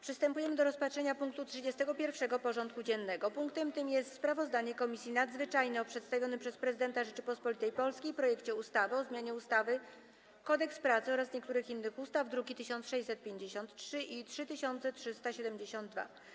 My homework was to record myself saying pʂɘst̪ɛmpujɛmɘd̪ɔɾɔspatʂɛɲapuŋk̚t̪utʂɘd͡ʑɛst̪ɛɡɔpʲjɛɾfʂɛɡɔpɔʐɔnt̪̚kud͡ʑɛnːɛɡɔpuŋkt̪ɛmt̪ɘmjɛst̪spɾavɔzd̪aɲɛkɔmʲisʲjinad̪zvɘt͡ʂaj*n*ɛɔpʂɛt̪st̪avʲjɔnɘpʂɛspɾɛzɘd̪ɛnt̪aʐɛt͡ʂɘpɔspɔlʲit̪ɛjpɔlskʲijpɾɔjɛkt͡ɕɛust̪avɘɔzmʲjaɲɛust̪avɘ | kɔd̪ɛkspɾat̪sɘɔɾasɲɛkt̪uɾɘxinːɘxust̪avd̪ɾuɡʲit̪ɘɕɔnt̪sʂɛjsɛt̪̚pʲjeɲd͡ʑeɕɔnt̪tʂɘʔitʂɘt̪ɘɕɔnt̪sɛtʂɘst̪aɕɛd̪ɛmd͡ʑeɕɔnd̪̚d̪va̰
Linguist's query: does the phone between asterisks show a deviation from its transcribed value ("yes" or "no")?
no